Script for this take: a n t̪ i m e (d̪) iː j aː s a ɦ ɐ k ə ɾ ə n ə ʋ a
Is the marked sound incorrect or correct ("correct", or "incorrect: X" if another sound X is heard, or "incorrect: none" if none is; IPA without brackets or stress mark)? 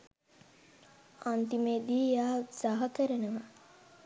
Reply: correct